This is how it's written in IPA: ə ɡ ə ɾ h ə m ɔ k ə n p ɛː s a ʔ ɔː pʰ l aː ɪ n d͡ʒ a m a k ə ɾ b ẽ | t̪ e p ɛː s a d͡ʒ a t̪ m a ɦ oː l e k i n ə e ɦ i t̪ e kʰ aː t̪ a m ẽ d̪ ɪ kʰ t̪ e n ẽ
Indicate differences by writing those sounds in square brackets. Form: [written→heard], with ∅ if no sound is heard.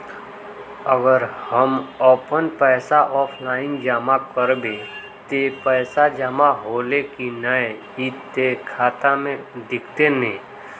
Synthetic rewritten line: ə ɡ ə ɾ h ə m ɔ [k→p] ə n p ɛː s a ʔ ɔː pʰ l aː ɪ n d͡ʒ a m a k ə ɾ b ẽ | t̪ e p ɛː s a d͡ʒ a [t̪→∅] m a ɦ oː l e k i n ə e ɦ i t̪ e kʰ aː t̪ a m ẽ d̪ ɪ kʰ t̪ e n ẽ